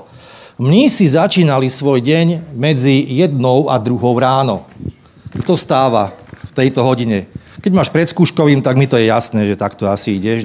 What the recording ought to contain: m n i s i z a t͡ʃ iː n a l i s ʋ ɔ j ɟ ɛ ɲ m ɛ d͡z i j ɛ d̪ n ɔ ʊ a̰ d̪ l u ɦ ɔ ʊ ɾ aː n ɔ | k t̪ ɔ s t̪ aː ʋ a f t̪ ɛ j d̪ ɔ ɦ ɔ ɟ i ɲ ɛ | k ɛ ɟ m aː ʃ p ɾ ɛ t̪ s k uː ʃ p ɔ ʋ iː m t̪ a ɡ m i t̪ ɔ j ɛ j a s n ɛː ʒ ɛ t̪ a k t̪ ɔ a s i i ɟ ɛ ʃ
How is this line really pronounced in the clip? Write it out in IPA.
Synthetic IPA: m ɲ i s i z a t͡ʃ iː n a l i s ʋ ɔ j ɟ ɛ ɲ m ɛ d͡z i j ɛ d̪ n ɔ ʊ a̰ d̪ ɾ u ɦ ɔ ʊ ɾ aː n ɔ | k t̪ ɔ s t̪ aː ʋ a f t̪ ɛ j t̪ ɔ ɦ ɔ ɟ i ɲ ɛ | k ɛ ɟ m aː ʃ p ɾ ɛ t̪ s k uː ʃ k ɔ ʋ iː m t̪ a ɡ m i t̪ ɔ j ɛ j a s n ɛː ʒ ɛ t̪ a k t̪ ɔ a s i i ɟ ɛ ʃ